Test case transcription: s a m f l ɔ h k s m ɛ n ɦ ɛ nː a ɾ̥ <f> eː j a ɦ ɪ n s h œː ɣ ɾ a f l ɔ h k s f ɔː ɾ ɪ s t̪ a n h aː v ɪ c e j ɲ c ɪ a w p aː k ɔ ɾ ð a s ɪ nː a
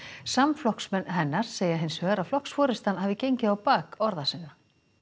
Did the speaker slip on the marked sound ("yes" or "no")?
yes